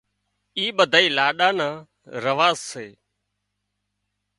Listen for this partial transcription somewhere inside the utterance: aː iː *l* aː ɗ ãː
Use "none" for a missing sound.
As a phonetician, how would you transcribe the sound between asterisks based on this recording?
l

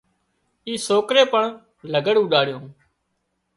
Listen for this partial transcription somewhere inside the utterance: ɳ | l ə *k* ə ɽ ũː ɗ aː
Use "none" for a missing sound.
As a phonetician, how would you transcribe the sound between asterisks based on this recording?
ɡ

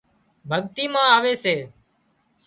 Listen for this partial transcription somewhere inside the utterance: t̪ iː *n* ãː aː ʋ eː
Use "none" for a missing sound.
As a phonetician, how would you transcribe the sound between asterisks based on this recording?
m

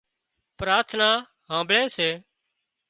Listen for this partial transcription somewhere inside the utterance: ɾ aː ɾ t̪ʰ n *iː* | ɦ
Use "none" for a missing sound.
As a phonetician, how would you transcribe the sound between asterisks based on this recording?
aː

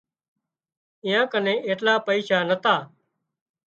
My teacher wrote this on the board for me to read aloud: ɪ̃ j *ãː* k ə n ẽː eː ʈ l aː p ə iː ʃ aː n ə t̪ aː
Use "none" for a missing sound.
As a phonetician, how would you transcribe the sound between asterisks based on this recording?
ãː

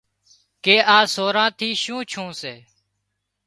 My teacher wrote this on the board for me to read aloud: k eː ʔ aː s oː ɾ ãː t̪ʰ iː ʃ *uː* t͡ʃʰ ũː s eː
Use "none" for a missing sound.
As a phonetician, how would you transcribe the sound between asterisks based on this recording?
ũː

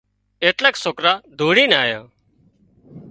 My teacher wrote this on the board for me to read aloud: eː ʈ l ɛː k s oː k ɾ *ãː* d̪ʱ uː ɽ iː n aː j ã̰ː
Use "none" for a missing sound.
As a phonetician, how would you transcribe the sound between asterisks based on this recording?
aː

